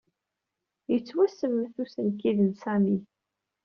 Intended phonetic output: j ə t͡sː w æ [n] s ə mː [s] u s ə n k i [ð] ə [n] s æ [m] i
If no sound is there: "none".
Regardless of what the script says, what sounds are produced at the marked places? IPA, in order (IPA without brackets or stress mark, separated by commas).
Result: none, θ, ð, n, m